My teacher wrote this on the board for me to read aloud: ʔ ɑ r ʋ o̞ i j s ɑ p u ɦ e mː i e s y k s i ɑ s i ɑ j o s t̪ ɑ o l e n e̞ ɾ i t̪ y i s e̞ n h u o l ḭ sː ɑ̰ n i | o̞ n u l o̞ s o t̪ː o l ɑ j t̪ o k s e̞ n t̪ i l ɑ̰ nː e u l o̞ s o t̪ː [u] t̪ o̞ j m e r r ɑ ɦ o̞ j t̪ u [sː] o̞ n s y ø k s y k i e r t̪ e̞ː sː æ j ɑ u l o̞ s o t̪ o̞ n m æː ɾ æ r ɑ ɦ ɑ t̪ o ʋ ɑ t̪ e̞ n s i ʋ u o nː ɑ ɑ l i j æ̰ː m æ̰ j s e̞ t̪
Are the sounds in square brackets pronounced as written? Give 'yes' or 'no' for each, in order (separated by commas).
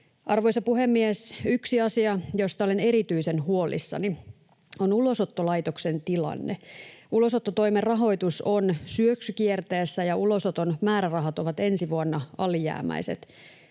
no, no